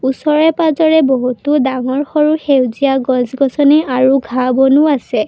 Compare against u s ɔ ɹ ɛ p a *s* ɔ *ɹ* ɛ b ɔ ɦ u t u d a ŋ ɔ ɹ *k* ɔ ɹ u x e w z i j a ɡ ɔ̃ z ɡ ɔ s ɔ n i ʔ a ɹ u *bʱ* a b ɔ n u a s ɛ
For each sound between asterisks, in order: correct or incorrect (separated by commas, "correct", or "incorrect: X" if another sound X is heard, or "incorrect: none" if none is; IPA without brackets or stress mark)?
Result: incorrect: z, correct, incorrect: x, incorrect: ɡʱ